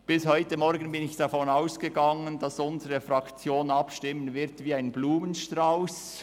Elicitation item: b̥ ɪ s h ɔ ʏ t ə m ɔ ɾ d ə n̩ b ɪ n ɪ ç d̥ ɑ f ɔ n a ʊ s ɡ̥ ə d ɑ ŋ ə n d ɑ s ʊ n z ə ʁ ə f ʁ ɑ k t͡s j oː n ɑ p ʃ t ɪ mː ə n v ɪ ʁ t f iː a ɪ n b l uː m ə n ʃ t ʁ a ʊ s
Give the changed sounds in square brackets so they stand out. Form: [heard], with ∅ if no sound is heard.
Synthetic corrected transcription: b̥ ɪ s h ɔ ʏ t ə m ɔ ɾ [ɡ] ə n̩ b ɪ n ɪ ç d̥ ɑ f ɔ n a ʊ s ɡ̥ ə [ɡ] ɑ ŋ ə n d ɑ s ʊ n z ə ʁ ə f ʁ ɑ k t͡s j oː n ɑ p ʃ t ɪ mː ə n v ɪ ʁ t [v] iː a ɪ n b l uː m ə n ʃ t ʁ a ʊ s